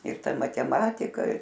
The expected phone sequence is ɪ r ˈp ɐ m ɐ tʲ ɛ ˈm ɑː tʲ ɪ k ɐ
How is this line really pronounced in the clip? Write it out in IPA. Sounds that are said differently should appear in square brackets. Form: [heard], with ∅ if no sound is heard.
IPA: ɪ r [ˈt] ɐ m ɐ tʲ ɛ ˈm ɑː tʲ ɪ k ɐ